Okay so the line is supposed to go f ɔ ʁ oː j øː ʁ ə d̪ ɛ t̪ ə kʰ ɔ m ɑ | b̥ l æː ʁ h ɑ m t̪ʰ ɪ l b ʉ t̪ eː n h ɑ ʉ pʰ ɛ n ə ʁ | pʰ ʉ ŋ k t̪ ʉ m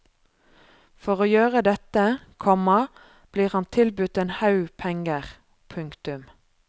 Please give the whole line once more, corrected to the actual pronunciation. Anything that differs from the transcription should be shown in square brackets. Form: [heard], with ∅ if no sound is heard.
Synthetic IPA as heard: f ɔ ʁ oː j øː ʁ ə d̪ ɛ t̪ ə kʰ ɔ m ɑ | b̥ l [iː] ʁ h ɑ [n] t̪ʰ ɪ l b ʉ t̪ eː n h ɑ ʉ pʰ ɛ [ŋ] ə ʁ | pʰ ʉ ŋ k t̪ ʉ m